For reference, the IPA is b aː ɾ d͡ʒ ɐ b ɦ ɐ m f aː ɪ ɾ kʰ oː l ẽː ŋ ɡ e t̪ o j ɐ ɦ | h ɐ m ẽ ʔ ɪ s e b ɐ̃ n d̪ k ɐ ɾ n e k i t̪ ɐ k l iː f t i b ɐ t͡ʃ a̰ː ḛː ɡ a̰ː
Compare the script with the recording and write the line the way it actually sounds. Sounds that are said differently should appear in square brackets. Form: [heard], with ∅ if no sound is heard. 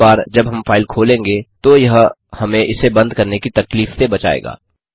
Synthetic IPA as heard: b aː ɾ d͡ʒ ɐ b ɦ ɐ m f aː ɪ [l] kʰ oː l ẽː ŋ ɡ e t̪ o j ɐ ɦ | h ɐ m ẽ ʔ ɪ s e b ɐ̃ n d̪ k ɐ ɾ n e k i t̪ ɐ k l iː f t [e] b ɐ t͡ʃ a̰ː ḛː ɡ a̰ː